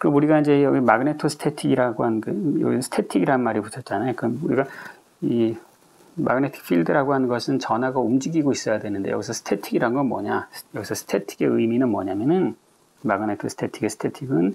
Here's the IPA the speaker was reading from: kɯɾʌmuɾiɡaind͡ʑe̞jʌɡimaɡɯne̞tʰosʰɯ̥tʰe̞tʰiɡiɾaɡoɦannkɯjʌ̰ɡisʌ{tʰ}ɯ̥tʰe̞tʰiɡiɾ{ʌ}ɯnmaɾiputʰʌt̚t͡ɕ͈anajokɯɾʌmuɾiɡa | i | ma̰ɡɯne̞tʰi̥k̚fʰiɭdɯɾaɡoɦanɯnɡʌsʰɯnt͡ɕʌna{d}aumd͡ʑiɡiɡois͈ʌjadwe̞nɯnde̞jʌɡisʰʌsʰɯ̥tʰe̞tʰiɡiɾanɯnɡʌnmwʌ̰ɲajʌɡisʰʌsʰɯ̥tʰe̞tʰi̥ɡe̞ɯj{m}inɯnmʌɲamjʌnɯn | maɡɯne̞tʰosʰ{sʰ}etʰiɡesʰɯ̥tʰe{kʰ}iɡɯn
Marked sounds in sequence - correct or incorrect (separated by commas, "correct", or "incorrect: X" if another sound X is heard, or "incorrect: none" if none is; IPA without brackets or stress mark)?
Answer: incorrect: sʰ, incorrect: a, incorrect: ɡ, correct, incorrect: tʰ, incorrect: tʰ